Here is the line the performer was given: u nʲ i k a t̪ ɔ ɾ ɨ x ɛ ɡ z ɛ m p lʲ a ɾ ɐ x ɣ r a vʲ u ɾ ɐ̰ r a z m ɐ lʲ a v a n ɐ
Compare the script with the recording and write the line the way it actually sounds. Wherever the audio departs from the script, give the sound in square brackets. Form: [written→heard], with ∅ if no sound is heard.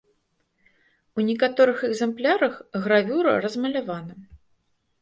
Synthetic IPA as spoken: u nʲ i k a t̪ ɔ ɾ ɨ x ɛ ɡ z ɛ m p lʲ a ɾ ɐ x ɣ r a vʲ u ɾ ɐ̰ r [a→ɐ] z m ɐ lʲ a v a n ɐ